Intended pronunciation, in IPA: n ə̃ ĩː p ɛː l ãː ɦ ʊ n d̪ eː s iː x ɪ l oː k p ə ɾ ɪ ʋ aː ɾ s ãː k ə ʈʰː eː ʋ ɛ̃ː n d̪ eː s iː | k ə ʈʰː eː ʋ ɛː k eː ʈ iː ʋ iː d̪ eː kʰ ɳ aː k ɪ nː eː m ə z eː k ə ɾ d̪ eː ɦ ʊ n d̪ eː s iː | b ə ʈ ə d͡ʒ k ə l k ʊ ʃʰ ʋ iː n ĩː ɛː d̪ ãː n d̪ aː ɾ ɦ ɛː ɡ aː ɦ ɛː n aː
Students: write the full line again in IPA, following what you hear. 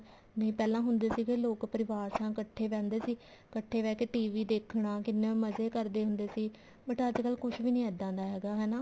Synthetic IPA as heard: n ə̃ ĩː p ɛː l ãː ɦ ʊ n d̪ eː s iː k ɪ l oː k p ə ɾ ɪ ʋ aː ɾ s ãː k ə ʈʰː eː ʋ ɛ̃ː n d̪ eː s iː | k ə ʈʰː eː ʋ ɛː k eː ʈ iː ʋ iː d̪ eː kʰ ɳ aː k ɪ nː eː m ə z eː k ə ɾ d̪ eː ɦ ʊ n d̪ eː s iː | b ə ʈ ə d͡ʒ k ə l k ʊ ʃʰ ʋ iː n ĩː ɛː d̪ ãː n d̪ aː ɦ ɛː ɡ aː ɦ ɛː n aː